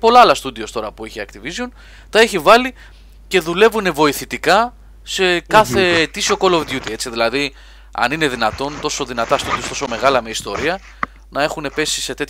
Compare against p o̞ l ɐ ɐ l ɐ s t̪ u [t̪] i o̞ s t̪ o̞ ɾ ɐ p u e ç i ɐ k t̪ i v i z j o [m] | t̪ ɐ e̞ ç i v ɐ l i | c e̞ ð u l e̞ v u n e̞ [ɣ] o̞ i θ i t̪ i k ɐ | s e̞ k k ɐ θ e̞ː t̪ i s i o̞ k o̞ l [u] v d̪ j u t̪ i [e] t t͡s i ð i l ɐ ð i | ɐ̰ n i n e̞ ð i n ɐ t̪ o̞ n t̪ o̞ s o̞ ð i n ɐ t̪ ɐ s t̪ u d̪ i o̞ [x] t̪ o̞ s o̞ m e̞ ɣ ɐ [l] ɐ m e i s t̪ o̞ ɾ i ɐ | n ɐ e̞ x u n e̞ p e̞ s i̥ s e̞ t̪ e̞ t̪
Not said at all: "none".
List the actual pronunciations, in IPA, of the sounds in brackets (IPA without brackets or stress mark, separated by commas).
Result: d̪, n, v, o, e, s, l